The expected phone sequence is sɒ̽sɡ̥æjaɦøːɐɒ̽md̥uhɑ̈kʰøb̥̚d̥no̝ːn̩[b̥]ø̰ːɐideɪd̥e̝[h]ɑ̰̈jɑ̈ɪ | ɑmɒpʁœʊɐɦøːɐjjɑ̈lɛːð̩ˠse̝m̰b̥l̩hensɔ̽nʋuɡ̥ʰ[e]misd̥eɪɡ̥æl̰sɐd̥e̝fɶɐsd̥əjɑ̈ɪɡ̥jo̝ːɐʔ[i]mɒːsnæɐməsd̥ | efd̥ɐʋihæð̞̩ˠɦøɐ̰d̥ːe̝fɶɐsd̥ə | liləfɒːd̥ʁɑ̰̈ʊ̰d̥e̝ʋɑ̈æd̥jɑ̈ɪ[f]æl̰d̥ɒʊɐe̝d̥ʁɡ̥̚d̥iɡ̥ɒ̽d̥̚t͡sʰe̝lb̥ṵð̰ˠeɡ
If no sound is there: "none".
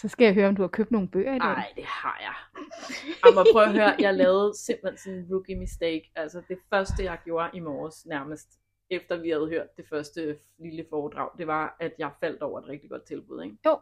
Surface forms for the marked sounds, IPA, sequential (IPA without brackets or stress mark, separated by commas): b̥, h, i, i, f